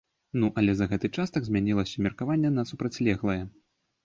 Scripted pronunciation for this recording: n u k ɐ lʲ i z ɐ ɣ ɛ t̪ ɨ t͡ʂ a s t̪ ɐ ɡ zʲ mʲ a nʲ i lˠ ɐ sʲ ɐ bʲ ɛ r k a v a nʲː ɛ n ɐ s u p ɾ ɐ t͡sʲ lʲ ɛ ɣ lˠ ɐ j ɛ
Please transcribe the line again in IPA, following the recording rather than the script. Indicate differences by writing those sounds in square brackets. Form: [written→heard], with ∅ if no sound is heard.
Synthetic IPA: n u [k→ʔ] ɐ lʲ [i→ɛ] z ɐ ɣ ɛ t̪ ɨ t͡ʂ a s t̪ ɐ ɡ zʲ mʲ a nʲ i lˠ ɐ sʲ ɐ [bʲ→mʲ] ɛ r k a v a nʲː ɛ n ɐ s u p ɾ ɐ t͡sʲ lʲ ɛ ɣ lˠ ɐ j ɛ